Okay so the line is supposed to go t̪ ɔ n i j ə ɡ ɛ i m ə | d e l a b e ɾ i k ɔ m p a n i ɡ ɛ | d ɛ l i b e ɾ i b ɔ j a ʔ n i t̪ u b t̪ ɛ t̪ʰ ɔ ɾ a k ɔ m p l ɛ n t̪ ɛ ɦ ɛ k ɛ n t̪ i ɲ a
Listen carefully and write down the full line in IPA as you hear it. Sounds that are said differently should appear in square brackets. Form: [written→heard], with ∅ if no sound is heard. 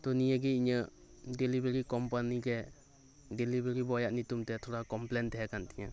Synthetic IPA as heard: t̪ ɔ n i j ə ɡ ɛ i [m→ɲ] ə | d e l [a→i] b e ɾ i k ɔ m p a n i ɡ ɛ | d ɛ l i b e ɾ i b ɔ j a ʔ n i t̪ u [b→m] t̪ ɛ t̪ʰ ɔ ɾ a k ɔ m p l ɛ n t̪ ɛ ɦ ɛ k [ɛ→a] n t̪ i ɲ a